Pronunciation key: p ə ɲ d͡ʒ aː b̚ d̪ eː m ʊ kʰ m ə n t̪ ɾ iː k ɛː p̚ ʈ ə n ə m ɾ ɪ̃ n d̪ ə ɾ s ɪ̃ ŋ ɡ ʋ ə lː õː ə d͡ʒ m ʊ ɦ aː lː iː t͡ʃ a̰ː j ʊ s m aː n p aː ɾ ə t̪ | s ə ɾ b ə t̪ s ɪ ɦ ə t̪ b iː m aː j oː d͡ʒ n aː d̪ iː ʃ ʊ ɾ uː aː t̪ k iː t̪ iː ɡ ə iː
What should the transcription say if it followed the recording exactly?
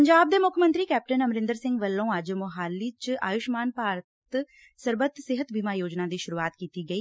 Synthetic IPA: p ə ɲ d͡ʒ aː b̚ d̪ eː m ʊ kʰ m ə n t̪ ɾ iː k ɛː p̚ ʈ ə n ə m ɾ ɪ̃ n d̪ ə ɾ s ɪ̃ ŋ ɡ ʋ ə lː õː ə d͡ʒ m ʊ ɦ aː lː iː t͡ʃ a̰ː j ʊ ʃ m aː n p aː ɾ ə t̪ | s ə ɾ b ə t̪ s ɪ ɦ ə t̪ b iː m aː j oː d͡ʒ n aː d̪ iː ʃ ʊ ɾ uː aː t̪ k iː t̪ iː ɡ ə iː